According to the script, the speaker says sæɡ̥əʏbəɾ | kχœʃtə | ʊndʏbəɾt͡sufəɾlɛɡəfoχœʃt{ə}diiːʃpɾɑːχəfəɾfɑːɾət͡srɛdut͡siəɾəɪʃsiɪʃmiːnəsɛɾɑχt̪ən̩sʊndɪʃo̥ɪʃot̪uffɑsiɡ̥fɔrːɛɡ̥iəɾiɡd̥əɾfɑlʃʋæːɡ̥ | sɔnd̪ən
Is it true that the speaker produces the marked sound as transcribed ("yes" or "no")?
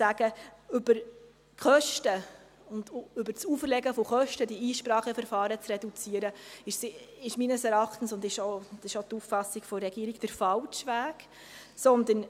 yes